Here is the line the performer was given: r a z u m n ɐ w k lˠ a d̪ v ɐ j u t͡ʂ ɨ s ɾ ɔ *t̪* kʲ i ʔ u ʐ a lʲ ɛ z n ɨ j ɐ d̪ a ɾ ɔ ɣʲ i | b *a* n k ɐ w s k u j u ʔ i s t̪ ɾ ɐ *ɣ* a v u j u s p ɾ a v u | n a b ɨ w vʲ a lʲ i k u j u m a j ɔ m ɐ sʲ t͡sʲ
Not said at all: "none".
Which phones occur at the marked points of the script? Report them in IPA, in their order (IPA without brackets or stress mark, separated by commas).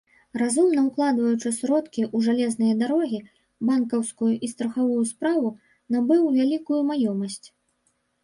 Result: t̪, a, x